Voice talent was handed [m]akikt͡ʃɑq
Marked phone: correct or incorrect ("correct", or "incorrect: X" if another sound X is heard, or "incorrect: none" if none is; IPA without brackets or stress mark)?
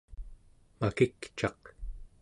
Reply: correct